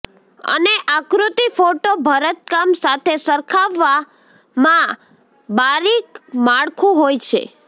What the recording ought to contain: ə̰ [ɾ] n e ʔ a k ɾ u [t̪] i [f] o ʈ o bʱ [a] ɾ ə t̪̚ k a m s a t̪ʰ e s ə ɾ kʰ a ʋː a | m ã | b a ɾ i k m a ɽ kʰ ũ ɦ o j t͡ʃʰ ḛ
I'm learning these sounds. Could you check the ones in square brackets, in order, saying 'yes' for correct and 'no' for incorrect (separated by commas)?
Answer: no, yes, yes, no